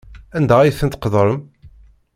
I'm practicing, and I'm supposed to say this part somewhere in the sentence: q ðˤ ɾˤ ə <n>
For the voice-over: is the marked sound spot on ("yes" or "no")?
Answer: no